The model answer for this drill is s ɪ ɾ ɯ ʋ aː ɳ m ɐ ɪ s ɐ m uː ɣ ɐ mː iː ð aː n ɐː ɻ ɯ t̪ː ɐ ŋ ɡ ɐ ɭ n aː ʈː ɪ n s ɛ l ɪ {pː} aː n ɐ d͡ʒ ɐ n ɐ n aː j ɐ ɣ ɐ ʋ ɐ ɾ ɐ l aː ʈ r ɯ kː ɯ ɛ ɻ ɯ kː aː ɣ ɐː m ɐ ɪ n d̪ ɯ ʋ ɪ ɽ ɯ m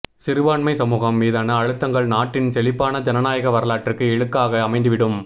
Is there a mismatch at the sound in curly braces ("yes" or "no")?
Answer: no